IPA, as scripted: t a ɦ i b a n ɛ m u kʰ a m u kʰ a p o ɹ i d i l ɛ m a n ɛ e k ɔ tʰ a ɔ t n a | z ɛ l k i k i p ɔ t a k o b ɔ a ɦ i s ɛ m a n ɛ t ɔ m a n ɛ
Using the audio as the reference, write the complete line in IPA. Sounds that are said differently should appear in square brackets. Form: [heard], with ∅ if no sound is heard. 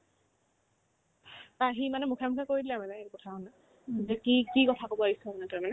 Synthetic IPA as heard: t a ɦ i [m] a n ɛ m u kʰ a m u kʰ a [k] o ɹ i d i l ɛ m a n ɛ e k ɔ tʰ a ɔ [∅] n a | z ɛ [∅] k i k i [k] ɔ [tʰ] a k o b ɔ a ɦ i s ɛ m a n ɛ t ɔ m a n ɛ